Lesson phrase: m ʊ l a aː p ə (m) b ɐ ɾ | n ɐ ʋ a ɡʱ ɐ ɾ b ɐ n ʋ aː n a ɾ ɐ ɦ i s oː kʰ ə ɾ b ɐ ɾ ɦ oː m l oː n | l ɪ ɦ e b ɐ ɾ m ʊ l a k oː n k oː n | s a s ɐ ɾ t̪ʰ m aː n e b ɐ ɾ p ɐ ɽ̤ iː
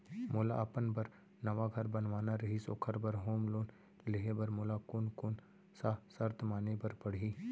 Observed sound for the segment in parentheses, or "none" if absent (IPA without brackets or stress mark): n